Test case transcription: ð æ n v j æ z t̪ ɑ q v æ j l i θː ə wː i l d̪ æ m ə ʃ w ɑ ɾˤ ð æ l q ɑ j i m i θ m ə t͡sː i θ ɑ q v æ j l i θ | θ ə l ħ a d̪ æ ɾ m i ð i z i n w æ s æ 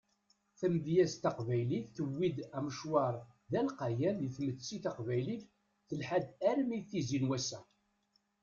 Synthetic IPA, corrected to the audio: θ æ m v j æ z t̪ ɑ q v æ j l i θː ə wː i d̪ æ m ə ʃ w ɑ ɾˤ ð æ l q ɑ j æ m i θ m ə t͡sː i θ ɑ q v æ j l i θ | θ ə l ħ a d̪ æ ɾ m i θ i z i n w æ s æ